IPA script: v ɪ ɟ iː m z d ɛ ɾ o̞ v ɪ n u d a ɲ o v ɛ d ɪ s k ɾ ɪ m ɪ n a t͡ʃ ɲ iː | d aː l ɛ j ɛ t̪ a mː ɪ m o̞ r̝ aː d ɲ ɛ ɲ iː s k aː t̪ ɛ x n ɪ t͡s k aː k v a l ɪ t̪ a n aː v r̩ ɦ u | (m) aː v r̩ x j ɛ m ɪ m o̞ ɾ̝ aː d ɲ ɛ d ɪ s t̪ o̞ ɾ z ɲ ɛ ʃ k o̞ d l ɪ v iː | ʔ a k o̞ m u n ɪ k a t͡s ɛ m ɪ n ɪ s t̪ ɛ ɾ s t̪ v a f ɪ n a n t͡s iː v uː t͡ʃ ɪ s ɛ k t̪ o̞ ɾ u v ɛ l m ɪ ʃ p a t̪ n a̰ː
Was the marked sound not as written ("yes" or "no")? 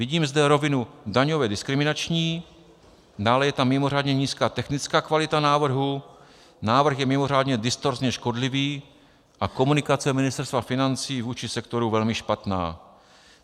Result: yes